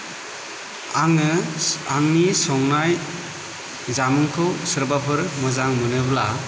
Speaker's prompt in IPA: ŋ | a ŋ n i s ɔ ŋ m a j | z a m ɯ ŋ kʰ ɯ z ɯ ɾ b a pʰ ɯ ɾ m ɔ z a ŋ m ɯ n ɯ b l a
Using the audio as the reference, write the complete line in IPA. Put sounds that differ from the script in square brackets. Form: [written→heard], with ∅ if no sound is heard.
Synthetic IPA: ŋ | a ŋ n i s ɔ ŋ [m→n] a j | z a m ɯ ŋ kʰ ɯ [z→s] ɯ ɾ b a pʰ ɯ ɾ m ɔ z a ŋ m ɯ n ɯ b l a